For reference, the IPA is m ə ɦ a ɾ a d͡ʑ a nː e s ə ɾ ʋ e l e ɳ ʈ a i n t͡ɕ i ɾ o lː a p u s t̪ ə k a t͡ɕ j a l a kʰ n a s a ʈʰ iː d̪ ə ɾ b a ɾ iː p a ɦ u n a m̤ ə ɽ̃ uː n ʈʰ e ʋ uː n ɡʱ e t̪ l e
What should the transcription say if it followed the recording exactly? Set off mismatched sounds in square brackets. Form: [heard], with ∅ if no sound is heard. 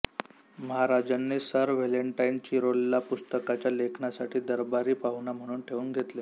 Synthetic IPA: m ə ɦ a ɾ a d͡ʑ a nː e s ə ɾ ʋ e l e ɳ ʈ a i n t͡ɕ i ɾ o lː a p u s t̪ ə k a t͡ɕ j a l [e] kʰ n a s a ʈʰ iː d̪ ə ɾ b a ɾ iː p a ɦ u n a m̤ ə ɽ̃ uː n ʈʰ e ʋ uː n ɡʱ e t̪ l e